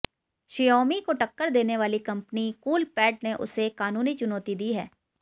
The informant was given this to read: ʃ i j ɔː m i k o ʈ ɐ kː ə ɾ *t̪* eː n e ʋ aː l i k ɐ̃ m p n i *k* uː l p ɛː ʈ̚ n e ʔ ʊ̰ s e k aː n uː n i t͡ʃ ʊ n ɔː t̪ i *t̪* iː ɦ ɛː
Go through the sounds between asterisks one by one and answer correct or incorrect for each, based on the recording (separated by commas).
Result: incorrect, correct, incorrect